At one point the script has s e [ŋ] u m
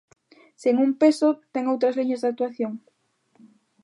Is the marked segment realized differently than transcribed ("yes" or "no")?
no